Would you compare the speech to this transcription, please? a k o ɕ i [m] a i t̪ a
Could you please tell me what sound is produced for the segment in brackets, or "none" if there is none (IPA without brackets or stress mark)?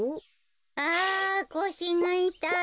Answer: ŋ